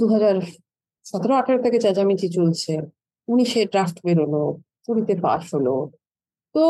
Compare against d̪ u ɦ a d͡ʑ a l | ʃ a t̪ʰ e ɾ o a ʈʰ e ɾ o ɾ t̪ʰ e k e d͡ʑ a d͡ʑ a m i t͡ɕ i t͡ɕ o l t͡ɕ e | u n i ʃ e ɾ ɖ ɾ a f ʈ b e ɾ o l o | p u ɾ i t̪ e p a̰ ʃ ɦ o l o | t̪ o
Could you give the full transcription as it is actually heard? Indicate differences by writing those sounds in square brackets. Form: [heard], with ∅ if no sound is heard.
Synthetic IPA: d̪ u ɦ a d͡ʑ a [ɾ] | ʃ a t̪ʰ e ɾ o a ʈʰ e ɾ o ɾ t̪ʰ e k e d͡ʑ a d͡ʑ a m i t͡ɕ i t͡ɕ o l [t͡ɕʰ] e | u n i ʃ e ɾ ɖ ɾ a f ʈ b e ɾ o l o | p u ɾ i t̪ e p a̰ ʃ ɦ o l o | t̪ o